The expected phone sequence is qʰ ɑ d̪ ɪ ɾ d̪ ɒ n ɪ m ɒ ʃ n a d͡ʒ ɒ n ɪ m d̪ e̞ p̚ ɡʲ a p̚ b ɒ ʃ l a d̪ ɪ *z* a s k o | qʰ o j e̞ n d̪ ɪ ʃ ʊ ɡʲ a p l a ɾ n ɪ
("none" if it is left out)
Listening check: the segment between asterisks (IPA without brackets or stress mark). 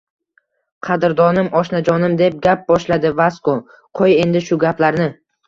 v